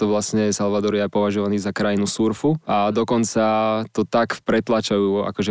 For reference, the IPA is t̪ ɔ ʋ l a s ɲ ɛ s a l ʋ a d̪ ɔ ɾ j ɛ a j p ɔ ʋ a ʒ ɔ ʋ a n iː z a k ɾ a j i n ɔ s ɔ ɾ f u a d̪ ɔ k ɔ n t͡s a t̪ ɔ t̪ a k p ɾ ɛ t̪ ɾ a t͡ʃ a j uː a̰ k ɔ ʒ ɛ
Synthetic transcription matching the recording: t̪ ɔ ʋ l a s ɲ ɛ s a l ʋ a d̪ ɔ ɾ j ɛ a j p ɔ ʋ a ʒ ɔ ʋ a n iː z a k ɾ a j i n u s u ɾ f u a d̪ ɔ k ɔ n t͡s a t̪ ɔ t̪ a k p ɾ ɛ t̪ l a t͡ʃ a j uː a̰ k ɔ ʒ ɛ